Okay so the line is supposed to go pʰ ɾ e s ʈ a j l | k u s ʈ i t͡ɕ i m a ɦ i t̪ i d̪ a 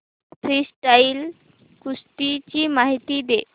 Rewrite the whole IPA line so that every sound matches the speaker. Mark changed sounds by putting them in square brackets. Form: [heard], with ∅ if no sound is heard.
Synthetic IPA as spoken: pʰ ɾ [i] s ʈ a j l | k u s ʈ i t͡ɕ i m a ɦ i t̪ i d̪ [e]